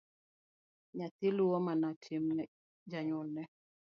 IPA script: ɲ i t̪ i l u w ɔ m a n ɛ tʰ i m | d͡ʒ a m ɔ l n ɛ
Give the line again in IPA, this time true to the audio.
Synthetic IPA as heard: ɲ a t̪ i l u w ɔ m a n a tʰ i m | d͡ʒ a ɲ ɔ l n ɛ